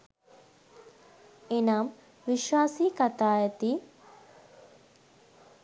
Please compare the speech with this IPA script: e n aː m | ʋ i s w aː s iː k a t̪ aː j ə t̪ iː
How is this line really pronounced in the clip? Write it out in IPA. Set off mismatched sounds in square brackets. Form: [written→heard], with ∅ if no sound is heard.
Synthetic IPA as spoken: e n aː m | ʋ i [s→ʃ] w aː s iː k a t̪ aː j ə t̪ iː